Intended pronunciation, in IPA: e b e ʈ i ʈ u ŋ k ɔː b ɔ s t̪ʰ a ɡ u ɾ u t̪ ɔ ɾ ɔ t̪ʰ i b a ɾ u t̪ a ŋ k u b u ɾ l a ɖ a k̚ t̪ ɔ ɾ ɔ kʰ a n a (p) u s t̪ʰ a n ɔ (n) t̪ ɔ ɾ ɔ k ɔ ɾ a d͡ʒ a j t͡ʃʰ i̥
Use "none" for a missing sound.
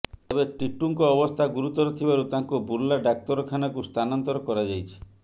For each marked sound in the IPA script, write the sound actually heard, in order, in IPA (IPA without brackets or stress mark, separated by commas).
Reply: k, n